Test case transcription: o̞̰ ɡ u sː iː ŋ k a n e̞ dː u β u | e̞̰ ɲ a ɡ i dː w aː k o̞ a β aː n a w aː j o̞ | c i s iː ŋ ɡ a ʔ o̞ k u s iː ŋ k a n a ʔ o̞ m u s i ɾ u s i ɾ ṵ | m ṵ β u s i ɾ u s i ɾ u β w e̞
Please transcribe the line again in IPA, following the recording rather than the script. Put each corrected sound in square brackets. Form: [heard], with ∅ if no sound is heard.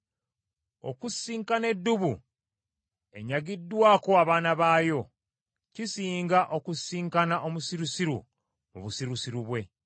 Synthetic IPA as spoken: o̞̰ [k] u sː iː ŋ k a n e̞ dː u β u | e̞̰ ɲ a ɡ i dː w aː k o̞ a β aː n a [β] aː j o̞ | c i s iː ŋ ɡ a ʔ o̞ k u s iː ŋ k a n a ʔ o̞ m u s i ɾ u s i ɾ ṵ | m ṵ β u s i ɾ u s i ɾ u β w e̞